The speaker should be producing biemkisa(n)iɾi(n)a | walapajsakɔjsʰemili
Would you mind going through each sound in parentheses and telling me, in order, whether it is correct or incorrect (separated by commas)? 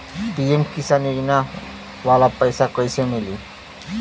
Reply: correct, correct